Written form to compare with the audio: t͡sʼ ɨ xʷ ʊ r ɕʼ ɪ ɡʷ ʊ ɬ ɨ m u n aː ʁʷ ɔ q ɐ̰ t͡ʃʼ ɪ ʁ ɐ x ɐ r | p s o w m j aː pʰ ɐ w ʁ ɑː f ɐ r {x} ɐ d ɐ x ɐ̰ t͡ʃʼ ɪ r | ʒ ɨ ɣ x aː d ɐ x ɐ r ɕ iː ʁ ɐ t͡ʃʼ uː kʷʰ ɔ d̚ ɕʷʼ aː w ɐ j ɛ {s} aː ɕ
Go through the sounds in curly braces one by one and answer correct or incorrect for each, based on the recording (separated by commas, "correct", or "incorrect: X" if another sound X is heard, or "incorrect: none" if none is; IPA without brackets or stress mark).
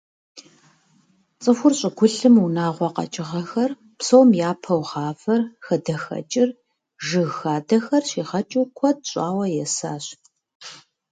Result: correct, correct